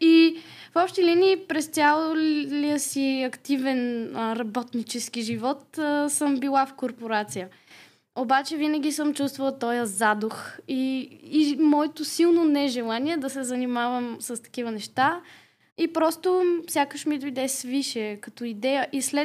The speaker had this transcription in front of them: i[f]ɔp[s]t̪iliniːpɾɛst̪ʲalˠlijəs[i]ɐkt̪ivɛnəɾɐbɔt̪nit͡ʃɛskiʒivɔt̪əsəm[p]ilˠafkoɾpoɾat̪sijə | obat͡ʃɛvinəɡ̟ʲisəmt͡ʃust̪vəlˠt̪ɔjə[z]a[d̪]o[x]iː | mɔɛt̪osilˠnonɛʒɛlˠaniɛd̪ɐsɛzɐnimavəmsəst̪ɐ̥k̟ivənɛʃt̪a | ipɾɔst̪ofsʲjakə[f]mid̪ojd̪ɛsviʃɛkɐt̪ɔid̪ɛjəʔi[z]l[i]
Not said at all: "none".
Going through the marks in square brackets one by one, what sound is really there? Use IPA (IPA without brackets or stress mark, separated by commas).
f, ʃ, i, b, z, d̪, x, ʃ, s, ɛ